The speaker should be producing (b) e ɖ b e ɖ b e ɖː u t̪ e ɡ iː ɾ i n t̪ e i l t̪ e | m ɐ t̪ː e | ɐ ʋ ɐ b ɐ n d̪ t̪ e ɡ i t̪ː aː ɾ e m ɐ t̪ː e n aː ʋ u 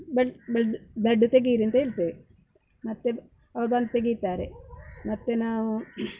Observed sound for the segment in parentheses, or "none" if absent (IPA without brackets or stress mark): b